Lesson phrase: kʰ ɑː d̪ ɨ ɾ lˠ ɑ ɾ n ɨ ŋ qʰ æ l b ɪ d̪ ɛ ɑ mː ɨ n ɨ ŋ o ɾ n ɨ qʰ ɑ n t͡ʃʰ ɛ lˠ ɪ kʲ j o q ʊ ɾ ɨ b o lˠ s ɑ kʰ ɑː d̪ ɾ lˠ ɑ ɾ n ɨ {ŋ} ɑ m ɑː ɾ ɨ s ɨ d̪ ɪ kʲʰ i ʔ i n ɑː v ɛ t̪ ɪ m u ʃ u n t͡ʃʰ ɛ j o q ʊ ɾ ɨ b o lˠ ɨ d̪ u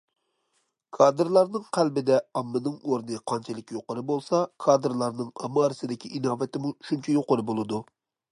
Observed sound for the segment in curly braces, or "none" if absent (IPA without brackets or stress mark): ŋ